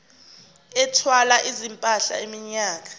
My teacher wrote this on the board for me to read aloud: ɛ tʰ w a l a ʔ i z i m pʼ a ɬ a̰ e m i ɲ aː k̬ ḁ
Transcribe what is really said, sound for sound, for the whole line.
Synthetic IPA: ɛ tʰ w a l a ʔ i z i m pʼ a ɬ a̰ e m i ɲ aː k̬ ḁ